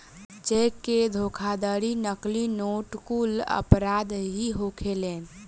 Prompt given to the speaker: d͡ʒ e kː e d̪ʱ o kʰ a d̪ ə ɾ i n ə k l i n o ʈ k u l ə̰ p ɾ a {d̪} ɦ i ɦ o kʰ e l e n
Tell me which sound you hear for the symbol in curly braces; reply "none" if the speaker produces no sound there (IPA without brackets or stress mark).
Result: d̪